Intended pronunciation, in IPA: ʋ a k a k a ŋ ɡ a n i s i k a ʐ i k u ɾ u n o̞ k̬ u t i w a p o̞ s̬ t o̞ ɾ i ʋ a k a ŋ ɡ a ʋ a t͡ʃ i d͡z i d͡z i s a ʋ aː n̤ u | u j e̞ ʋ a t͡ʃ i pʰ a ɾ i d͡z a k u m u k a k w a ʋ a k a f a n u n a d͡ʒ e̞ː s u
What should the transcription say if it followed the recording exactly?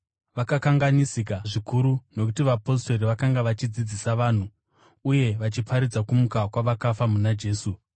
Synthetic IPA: ʋ a k a k a ŋ ɡ a n i s i k a ʐ i k u ɾ u n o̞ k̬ u t i ʋ a p o̞ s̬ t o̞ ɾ i ʋ a k a ŋ ɡ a ʋ a t͡ʃ i d͡z i d͡z i s a ʋ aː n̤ u | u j e̞ ʋ a t͡ʃ i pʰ a ɾ i d͡z a k u m u k a k w a ʋ a k a f a m u n a d͡ʒ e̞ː s u